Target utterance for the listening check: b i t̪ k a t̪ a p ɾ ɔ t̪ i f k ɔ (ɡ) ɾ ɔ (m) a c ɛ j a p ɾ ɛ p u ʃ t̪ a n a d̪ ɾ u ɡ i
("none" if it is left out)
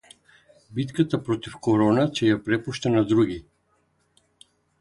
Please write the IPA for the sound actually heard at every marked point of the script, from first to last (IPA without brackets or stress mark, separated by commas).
none, n